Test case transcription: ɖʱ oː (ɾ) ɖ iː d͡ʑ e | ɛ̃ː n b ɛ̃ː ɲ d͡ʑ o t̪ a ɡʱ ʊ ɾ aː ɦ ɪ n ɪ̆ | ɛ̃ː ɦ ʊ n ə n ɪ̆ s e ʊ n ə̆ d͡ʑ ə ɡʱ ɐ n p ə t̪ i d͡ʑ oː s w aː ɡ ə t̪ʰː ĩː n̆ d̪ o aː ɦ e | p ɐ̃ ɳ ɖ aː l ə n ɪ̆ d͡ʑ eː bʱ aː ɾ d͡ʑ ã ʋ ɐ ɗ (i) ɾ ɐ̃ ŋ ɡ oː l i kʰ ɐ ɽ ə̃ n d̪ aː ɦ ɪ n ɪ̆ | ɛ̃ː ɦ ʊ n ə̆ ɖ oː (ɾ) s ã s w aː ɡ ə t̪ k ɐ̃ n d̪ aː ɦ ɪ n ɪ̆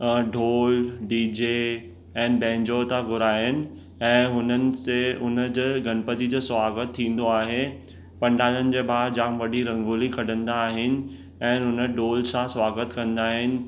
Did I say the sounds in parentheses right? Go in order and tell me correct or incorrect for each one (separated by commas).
incorrect, correct, incorrect